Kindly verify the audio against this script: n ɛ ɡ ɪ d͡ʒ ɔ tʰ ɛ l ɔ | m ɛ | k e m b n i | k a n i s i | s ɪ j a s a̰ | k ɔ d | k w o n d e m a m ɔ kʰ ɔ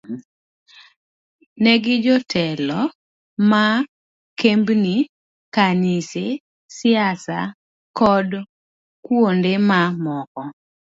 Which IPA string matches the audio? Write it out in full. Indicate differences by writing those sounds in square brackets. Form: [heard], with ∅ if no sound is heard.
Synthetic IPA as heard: n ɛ ɡ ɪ d͡ʒ ɔ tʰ ɛ l ɔ | m [a] | k e m b n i | k a n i s [e] | s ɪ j a s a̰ | k ɔ d | k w o n d e m a m ɔ [k] ɔ